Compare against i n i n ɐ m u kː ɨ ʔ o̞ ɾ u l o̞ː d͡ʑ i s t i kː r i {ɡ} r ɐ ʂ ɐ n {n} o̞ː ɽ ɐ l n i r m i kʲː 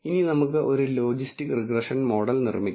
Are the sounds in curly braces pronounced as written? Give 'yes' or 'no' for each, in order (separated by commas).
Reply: yes, no